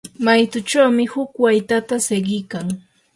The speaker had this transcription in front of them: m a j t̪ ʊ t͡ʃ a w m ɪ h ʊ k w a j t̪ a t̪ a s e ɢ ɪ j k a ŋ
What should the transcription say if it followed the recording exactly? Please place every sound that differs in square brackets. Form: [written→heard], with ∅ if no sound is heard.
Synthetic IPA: m a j t̪ ʊ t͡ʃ a w m ɪ h ʊ k w a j t̪ a t̪ a s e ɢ ɪ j k a ŋ

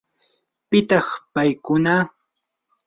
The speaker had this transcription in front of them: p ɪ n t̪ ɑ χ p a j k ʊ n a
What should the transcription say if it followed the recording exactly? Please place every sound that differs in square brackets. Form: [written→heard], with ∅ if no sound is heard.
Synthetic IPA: p ɪ [n→∅] t̪ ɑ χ p a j k ʊ n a

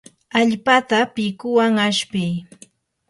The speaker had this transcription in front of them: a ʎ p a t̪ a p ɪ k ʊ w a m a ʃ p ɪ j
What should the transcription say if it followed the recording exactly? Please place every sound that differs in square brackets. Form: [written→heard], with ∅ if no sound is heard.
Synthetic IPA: a ʎ p a t̪ a p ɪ k ʊ w a [m→ŋ] a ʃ p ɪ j

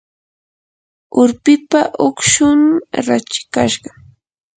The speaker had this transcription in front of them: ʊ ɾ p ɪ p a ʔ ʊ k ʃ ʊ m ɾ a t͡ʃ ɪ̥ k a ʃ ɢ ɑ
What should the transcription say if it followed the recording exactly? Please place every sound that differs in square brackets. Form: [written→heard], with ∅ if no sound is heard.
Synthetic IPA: ʊ ɾ p ɪ p a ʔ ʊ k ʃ ʊ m ɾ a t͡ʃ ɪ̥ k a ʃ ɢ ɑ

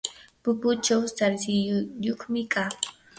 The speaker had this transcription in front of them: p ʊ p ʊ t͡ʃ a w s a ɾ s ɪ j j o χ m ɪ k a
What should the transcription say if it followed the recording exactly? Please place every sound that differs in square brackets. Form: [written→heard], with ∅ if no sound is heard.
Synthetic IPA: p ʊ p ʊ t͡ʃ a w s a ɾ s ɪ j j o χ m ɪ k a

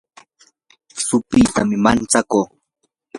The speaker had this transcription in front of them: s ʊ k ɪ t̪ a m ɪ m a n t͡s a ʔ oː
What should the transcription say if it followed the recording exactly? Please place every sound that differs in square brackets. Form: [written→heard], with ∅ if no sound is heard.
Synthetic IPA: s ʊ [k→p] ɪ t̪ a m ɪ m a n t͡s a [ʔ→k] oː

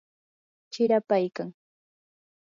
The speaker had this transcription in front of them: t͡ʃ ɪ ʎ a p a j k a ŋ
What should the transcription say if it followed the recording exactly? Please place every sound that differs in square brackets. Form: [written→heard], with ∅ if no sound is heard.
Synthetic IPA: t͡ʃ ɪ [ʎ→ɾ] a p a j k a ŋ

